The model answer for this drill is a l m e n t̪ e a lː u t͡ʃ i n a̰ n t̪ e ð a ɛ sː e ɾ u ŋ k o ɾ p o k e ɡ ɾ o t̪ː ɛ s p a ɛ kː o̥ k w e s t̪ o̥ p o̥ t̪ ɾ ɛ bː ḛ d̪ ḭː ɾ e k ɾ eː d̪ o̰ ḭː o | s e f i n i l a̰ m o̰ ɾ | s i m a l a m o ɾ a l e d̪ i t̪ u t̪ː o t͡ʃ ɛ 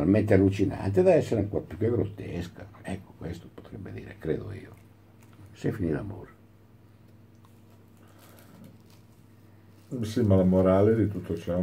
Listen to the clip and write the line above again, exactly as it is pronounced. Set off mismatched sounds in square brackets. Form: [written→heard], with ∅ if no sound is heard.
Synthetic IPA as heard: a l m e n t̪ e a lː u t͡ʃ i n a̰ n t̪ e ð a ɛ sː e ɾ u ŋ k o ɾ p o k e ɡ ɾ o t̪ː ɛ s [p→k] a ɛ kː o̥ k w e s t̪ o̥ p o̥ t̪ ɾ ɛ bː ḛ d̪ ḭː ɾ e k ɾ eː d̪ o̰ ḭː o | s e f i n i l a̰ m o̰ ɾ | s i m a l a m o ɾ a l e d̪ i t̪ u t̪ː o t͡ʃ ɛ